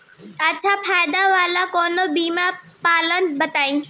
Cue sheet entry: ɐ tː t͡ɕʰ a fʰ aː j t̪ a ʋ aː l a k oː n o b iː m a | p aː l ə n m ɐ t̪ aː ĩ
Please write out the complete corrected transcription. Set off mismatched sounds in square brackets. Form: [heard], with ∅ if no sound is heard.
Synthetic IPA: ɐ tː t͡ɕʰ a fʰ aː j [d̪] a ʋ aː l a k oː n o b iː m a | p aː l ə n [b] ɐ t̪ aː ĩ